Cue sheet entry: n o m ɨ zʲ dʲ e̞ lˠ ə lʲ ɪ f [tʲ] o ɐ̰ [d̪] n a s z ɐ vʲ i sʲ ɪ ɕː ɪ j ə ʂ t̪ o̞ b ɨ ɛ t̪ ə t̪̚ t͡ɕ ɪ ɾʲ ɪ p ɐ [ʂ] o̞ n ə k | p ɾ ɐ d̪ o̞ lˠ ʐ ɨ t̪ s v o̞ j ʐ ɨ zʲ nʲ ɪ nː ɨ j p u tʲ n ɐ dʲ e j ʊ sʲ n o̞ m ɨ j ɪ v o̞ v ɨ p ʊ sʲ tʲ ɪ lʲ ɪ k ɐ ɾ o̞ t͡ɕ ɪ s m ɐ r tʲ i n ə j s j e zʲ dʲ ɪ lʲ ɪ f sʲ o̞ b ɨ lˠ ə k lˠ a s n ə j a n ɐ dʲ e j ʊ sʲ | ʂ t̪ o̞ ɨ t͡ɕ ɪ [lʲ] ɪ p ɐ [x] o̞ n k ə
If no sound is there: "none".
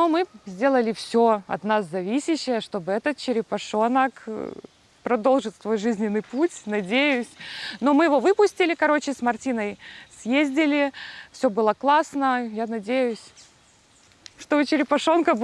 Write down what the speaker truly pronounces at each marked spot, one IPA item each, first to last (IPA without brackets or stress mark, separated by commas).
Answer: sʲ, t̪, ʂ, ɾʲ, ʂ